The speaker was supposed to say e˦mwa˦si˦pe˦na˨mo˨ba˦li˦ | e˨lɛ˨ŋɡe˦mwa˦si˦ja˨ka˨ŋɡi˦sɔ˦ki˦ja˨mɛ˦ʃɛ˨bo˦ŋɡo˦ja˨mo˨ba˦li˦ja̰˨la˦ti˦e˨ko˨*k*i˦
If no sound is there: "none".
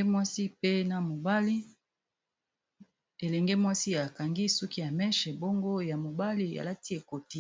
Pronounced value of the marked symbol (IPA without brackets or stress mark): t